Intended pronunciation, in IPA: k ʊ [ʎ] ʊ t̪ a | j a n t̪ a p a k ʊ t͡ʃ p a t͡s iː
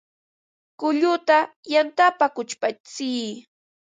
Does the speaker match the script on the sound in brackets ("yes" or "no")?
yes